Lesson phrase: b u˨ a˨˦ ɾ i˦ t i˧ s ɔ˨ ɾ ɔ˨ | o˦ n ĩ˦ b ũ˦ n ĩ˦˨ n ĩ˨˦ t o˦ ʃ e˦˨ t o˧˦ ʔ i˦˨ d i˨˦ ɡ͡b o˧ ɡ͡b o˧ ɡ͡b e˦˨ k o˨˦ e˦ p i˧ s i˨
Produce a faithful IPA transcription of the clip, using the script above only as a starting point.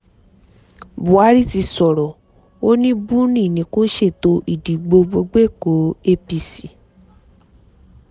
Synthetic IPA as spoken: b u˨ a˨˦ ɾ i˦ t i˧ s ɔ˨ ɾ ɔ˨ | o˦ n ĩ˦ b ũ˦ n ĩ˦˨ n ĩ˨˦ k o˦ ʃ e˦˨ t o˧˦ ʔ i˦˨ d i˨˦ ɡ͡b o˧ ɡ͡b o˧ ɡ͡b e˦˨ k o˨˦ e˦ p i˧ s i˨